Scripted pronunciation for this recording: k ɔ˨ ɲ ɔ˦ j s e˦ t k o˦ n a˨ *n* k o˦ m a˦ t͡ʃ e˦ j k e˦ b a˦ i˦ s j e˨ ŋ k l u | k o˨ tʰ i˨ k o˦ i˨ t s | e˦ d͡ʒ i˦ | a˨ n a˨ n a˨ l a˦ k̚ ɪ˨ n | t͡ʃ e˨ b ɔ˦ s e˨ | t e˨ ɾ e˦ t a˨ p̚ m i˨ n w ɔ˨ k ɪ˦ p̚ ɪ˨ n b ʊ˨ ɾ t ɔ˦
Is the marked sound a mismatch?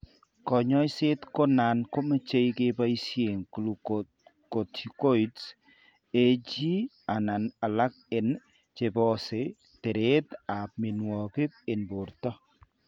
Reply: no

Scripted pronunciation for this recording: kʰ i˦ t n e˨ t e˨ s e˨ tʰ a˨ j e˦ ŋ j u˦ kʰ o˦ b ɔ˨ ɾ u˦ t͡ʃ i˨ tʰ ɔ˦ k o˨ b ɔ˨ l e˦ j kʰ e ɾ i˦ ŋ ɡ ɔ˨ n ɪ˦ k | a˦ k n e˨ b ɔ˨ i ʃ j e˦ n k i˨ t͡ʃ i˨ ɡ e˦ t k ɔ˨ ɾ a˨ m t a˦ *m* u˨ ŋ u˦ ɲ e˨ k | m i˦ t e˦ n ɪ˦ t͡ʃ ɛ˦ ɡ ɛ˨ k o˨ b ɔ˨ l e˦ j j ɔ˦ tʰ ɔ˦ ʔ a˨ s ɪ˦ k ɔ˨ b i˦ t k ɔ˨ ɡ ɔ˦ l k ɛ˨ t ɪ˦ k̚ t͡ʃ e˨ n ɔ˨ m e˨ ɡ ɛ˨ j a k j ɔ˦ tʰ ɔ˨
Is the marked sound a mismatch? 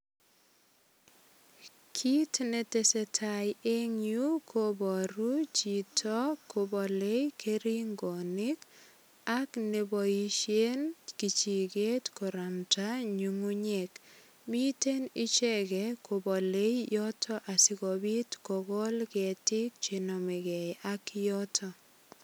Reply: yes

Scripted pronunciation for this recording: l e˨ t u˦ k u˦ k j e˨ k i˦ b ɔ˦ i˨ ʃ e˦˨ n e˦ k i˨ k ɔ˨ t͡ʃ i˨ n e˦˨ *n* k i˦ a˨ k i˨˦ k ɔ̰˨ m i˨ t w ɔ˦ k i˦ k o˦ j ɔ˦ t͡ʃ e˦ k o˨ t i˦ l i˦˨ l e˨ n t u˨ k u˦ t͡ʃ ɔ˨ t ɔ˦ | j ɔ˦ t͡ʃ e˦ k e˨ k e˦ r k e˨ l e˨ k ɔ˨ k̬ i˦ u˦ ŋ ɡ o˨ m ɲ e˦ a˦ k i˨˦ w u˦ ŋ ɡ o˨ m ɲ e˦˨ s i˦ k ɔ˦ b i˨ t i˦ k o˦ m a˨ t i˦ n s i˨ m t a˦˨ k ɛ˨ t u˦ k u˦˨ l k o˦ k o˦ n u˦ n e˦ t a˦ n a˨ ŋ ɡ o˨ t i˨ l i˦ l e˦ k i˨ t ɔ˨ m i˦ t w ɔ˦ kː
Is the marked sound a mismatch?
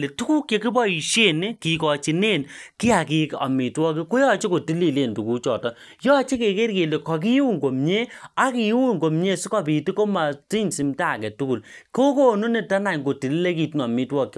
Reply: no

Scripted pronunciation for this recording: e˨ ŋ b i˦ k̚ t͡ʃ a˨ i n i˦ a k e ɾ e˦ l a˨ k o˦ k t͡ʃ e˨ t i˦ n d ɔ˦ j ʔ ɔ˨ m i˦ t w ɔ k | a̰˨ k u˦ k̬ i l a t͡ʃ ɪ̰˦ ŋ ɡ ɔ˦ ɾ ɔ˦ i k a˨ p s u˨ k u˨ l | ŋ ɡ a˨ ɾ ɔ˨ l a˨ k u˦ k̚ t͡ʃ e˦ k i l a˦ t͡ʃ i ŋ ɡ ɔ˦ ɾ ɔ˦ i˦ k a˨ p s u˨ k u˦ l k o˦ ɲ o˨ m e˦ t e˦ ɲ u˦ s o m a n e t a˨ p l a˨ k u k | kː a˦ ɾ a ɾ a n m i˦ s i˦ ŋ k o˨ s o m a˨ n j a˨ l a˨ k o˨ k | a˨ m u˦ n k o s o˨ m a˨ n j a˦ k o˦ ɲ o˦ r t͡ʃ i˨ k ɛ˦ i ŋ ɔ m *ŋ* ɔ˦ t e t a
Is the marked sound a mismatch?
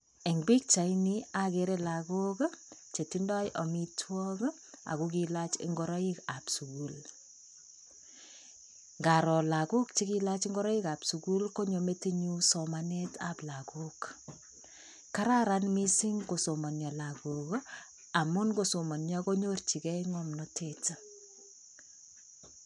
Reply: yes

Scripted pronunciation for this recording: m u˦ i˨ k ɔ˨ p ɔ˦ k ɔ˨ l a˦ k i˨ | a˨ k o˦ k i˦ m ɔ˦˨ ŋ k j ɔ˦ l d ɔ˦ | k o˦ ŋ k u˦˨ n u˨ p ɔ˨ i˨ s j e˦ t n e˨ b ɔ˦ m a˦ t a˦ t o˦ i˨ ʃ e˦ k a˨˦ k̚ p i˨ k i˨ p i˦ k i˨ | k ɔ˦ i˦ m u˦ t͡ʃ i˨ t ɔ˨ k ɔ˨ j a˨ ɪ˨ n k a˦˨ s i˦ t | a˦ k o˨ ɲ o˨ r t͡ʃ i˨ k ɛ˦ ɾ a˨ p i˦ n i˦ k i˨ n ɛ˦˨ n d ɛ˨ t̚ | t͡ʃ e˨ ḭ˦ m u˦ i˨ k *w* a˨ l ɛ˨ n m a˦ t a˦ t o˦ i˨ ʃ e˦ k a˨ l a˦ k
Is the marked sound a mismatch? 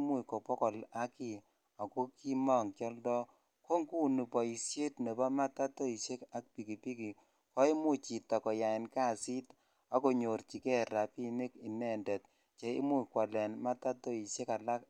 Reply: no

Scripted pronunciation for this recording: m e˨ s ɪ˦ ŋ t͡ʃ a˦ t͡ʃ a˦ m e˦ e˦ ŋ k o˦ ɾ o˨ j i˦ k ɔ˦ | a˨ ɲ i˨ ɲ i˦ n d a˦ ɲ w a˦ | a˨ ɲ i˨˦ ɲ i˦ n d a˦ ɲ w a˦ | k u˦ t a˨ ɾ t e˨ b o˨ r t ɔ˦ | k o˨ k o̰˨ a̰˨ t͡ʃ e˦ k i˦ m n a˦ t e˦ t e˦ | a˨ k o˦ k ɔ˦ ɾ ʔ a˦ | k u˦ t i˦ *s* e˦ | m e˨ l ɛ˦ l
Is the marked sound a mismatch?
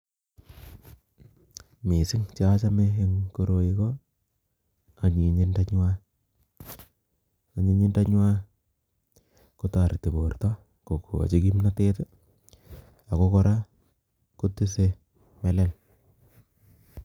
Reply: no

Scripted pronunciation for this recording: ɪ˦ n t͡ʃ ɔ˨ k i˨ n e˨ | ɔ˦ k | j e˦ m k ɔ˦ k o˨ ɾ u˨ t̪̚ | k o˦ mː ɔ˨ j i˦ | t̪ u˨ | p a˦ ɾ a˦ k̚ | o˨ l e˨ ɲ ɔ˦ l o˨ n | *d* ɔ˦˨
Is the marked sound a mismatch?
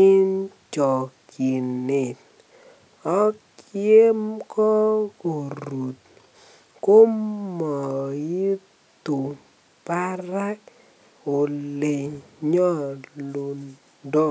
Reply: no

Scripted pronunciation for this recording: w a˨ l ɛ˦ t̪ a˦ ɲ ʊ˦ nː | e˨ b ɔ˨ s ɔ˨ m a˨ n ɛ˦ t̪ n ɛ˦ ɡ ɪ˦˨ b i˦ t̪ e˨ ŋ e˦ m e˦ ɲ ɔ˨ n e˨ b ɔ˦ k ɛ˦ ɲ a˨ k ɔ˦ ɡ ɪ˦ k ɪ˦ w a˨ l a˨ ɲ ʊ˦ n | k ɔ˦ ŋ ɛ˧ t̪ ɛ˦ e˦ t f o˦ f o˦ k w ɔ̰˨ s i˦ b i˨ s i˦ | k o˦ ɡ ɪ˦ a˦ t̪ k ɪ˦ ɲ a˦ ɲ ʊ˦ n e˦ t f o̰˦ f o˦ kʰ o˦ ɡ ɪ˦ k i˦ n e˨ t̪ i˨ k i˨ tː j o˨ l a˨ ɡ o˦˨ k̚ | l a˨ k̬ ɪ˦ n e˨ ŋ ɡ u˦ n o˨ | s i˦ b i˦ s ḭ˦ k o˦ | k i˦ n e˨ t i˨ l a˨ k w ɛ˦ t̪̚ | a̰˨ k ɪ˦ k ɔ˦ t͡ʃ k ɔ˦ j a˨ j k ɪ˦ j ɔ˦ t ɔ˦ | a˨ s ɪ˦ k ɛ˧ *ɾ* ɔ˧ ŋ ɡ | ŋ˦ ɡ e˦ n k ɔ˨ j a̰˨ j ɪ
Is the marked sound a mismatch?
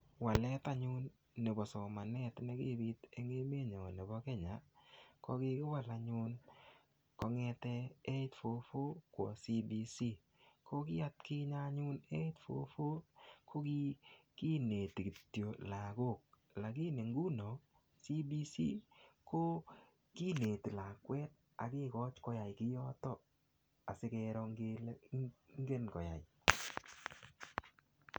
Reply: no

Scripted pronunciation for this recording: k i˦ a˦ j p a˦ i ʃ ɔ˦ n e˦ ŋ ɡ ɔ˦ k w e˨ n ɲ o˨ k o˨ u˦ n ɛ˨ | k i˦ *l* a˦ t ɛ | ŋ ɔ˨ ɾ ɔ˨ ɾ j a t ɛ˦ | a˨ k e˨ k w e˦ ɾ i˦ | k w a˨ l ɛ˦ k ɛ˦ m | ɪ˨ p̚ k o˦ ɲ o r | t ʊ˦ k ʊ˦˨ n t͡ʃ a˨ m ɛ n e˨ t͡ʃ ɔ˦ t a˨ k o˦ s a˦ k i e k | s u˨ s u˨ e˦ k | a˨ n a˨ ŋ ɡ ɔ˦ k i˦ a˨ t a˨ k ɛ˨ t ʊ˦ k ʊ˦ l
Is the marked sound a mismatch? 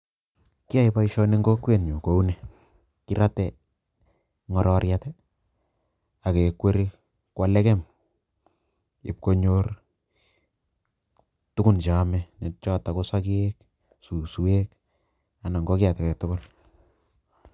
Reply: yes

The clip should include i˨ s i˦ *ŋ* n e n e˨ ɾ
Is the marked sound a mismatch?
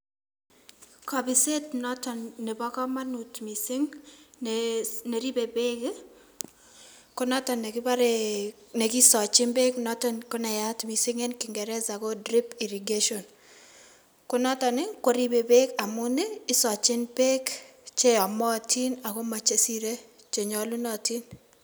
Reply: no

